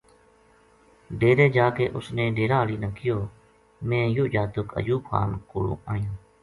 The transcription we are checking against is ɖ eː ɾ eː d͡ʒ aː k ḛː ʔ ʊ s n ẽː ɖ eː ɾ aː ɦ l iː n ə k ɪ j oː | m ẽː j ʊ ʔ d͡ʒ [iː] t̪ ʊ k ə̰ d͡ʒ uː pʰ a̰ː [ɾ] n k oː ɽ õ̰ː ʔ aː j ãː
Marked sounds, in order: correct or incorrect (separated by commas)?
incorrect, incorrect